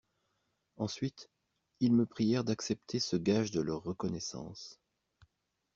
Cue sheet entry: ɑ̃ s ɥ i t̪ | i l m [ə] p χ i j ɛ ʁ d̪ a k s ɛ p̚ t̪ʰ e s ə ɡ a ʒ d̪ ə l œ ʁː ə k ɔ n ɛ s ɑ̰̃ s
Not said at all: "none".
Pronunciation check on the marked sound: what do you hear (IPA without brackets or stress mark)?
ə